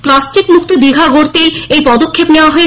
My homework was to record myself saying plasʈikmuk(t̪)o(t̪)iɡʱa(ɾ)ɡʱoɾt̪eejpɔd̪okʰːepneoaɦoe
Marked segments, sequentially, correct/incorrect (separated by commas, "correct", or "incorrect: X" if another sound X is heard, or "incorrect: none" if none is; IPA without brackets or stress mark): correct, incorrect: d̪, incorrect: none